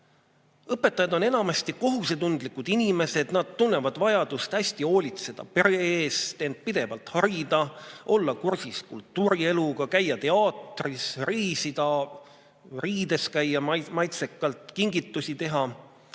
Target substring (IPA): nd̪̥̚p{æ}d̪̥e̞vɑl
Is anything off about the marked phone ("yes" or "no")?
yes